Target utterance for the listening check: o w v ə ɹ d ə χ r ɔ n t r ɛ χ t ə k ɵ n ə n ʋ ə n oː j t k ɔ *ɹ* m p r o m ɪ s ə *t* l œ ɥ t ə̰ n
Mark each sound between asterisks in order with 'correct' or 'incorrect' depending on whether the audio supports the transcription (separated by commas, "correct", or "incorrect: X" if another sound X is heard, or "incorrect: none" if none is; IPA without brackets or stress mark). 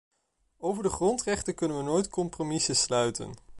incorrect: none, incorrect: s